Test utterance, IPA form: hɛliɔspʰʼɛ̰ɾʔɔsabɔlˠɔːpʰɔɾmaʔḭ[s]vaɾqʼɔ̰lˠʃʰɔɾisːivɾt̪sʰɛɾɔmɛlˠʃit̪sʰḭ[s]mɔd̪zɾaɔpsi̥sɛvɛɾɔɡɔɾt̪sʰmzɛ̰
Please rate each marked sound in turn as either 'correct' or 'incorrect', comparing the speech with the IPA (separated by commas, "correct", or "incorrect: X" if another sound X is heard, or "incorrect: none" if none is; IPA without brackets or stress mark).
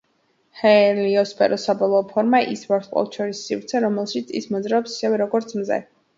correct, correct